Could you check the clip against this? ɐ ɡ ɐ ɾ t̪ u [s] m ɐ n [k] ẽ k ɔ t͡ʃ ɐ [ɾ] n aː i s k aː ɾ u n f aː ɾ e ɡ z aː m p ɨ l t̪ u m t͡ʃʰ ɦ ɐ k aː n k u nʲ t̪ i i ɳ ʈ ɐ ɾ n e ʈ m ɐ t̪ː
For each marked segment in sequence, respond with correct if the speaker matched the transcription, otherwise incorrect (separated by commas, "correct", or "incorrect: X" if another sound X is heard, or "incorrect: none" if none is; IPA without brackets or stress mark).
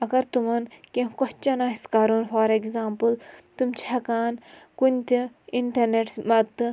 incorrect: none, correct, incorrect: none